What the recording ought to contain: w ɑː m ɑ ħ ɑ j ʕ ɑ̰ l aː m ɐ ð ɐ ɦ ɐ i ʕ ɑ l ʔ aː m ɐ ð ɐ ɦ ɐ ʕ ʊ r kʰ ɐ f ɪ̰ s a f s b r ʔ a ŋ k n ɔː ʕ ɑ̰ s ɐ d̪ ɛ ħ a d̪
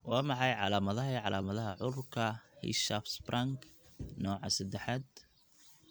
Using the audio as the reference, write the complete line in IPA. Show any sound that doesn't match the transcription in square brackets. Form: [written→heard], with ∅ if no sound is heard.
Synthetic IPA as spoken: w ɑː m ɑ ħ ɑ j ʕ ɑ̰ l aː m ɐ ð ɐ ɦ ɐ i ʕ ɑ l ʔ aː m ɐ ð ɐ ɦ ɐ ʕ ʊ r kʰ ɐ [f→h] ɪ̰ [s→ʃ] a f s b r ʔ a ŋ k n ɔː ʕ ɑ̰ s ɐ d̪ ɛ ħ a d̪